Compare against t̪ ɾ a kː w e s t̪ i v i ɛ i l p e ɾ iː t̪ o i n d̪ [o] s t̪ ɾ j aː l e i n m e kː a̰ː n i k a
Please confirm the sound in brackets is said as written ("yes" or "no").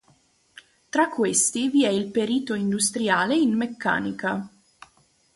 no